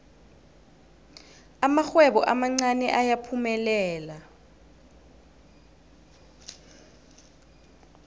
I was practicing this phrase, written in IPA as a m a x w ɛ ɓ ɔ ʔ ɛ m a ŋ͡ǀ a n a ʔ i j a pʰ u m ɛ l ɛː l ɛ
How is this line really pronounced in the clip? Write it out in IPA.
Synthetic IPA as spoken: a m a x w ɛ ɓ ɔ ʔ a m a ŋ͡ǀ a n ɛ ʔ a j a pʰ u m ɛ l ɛː l a